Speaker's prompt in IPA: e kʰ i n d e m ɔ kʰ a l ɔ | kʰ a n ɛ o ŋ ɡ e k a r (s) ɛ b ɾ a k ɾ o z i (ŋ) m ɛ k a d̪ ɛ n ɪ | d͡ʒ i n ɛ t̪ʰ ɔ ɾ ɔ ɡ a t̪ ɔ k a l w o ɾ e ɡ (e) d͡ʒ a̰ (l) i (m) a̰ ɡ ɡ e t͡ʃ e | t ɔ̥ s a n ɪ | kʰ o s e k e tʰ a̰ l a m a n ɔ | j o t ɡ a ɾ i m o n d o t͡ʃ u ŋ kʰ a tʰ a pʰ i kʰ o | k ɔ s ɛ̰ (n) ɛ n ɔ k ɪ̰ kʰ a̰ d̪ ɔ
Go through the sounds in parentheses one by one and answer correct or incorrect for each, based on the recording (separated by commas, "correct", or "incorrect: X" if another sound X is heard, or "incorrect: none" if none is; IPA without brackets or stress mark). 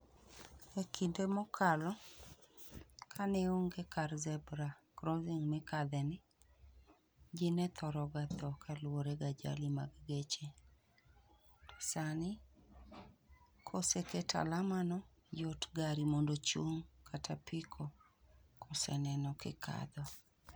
incorrect: z, correct, incorrect: a, correct, correct, correct